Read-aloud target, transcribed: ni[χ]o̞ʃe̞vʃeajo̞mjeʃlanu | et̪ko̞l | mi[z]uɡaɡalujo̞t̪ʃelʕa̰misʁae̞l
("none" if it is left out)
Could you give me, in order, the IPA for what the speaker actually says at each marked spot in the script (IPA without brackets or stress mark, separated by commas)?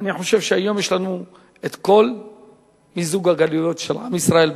ħ, z